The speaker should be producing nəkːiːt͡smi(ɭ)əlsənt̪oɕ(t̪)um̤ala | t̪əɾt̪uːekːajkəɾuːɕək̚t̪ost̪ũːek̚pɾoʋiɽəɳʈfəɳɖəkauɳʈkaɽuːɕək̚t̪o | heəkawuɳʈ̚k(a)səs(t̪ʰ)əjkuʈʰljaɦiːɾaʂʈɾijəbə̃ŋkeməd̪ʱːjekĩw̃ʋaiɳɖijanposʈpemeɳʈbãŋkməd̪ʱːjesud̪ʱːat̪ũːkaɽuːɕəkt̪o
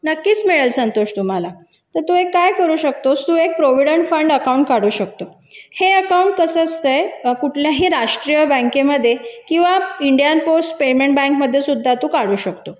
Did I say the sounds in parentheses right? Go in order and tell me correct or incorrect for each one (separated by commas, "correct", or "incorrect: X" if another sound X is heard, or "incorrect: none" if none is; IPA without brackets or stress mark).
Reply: correct, correct, incorrect: ə, incorrect: t̪